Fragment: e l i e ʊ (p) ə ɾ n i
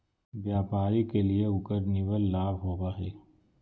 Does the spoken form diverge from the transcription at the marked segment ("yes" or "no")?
yes